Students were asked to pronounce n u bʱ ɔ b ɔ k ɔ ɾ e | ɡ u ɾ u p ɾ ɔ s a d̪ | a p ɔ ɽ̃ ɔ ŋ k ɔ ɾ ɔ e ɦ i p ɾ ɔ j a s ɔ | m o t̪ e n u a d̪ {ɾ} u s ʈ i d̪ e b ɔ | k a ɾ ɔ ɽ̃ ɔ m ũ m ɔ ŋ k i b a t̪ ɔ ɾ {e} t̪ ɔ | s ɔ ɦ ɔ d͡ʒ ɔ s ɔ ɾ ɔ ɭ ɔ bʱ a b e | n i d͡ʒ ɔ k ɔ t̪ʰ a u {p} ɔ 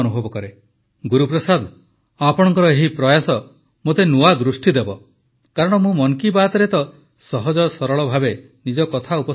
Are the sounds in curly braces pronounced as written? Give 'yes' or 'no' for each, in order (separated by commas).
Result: yes, yes, yes